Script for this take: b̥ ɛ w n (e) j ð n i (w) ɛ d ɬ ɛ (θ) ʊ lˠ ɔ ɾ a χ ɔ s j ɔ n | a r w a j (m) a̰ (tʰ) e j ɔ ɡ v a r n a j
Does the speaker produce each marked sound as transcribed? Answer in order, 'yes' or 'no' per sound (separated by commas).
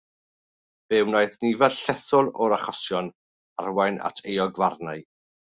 no, no, yes, no, yes